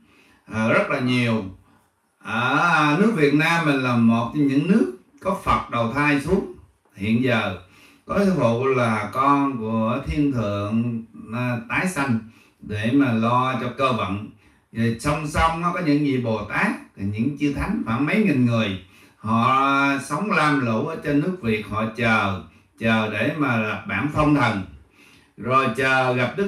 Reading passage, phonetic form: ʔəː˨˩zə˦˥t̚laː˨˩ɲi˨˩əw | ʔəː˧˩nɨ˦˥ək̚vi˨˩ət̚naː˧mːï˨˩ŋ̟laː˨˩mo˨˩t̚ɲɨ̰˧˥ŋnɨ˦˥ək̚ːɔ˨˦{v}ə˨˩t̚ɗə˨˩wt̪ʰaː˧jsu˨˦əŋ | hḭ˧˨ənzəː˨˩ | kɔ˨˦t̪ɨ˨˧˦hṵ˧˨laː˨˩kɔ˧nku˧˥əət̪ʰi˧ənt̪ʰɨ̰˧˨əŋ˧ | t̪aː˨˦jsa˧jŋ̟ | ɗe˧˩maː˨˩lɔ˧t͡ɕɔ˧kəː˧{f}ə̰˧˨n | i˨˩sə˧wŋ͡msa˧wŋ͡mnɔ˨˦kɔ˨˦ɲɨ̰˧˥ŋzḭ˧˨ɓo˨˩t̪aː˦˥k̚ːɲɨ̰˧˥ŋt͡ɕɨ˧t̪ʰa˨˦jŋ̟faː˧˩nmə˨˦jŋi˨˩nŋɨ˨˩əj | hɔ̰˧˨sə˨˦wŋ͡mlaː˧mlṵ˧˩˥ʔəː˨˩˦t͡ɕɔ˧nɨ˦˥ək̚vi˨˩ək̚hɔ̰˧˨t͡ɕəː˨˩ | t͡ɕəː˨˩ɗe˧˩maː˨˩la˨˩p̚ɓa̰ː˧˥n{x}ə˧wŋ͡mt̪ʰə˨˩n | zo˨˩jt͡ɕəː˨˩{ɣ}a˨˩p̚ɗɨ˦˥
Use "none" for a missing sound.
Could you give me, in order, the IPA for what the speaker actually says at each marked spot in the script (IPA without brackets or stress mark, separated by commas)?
f, v, f, ɣ